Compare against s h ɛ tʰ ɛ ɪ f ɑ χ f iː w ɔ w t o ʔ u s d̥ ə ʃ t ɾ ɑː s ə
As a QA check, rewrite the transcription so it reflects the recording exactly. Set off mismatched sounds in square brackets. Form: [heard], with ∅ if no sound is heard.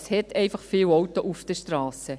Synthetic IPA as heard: s h ɛ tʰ ɛ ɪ f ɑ χ f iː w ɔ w t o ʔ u [f] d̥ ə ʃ t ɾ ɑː s ə